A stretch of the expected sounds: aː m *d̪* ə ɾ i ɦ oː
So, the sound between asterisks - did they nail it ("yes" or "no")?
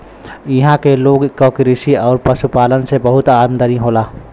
yes